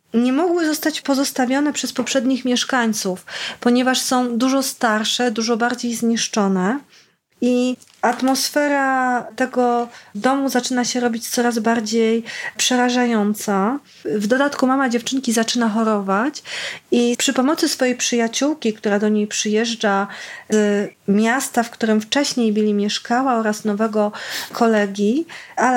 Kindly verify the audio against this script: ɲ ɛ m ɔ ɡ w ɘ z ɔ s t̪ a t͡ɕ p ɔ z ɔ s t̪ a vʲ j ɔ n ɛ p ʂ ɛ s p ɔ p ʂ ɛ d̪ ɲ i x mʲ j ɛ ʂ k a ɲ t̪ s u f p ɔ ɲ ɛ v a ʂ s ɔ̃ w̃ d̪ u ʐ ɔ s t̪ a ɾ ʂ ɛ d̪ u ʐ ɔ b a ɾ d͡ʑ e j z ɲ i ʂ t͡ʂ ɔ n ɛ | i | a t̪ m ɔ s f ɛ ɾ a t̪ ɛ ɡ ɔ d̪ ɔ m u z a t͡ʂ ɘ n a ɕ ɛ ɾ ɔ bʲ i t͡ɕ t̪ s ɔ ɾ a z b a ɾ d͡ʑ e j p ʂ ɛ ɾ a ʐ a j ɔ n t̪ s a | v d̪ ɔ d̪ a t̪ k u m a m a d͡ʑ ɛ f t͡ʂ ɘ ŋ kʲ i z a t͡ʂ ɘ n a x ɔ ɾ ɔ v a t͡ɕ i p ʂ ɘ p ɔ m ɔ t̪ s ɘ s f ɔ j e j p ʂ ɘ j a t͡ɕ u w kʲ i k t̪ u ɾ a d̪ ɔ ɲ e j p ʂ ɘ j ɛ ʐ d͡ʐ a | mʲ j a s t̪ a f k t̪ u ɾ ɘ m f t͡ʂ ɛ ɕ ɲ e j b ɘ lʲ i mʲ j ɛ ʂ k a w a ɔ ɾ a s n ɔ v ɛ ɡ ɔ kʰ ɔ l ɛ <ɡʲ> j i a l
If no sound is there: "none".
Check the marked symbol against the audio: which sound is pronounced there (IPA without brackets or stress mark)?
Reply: ɡʲ